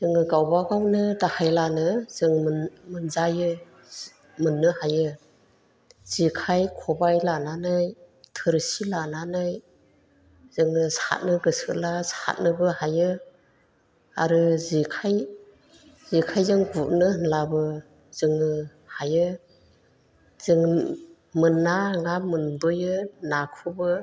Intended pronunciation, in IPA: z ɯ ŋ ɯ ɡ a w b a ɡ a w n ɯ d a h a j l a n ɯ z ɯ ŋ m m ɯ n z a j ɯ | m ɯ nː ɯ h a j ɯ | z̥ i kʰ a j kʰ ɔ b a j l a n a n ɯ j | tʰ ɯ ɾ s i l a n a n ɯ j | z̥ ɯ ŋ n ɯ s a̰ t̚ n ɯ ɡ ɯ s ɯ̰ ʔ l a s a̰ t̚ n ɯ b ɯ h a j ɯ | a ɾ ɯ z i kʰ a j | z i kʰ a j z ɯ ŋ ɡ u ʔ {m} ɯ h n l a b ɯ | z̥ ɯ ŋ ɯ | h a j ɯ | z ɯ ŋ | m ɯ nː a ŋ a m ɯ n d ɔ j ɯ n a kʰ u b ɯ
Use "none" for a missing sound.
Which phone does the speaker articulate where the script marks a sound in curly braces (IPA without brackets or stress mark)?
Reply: n